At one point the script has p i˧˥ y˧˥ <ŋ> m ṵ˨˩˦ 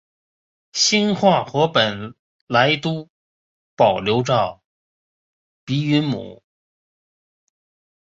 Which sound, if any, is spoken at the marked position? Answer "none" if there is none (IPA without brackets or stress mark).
n